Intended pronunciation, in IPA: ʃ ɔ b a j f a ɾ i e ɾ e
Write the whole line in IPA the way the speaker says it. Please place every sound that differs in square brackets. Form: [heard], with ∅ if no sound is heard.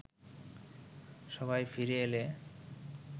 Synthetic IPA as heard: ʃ ɔ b a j f [i] ɾ [e] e [l] e